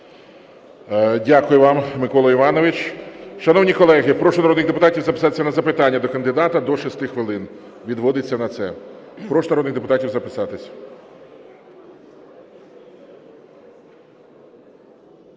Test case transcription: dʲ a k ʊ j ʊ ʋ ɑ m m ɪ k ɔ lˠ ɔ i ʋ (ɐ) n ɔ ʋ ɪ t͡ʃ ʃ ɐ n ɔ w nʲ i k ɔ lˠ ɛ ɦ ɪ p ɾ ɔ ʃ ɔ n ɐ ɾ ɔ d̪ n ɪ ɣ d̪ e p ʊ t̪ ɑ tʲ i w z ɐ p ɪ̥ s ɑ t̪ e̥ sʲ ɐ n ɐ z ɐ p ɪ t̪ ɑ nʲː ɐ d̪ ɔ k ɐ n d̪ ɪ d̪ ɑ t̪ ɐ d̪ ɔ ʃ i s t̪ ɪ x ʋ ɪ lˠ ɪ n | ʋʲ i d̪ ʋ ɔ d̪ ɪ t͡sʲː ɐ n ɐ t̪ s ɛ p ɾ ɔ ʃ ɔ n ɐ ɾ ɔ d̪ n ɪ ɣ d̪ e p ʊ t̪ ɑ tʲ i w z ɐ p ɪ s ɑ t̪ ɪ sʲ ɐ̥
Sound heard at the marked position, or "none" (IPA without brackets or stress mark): ɑ